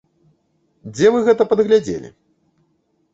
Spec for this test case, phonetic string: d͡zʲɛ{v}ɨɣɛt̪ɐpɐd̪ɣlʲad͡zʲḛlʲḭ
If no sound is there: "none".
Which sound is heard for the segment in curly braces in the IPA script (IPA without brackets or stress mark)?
v